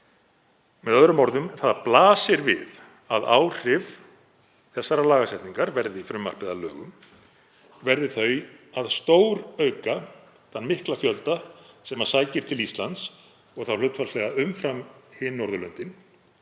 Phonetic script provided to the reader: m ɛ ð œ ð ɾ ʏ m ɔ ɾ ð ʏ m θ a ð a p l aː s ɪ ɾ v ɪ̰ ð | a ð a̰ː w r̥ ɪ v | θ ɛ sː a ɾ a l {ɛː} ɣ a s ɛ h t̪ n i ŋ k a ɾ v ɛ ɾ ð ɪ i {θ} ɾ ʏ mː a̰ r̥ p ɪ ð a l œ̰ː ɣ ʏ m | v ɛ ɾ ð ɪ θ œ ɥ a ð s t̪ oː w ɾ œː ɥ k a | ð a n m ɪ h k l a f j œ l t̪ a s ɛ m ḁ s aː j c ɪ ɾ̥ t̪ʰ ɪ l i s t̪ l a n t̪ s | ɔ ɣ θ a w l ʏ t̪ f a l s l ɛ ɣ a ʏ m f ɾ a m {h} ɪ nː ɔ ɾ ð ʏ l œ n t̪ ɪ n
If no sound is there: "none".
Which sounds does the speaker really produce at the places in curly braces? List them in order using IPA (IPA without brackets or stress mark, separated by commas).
aː, f, h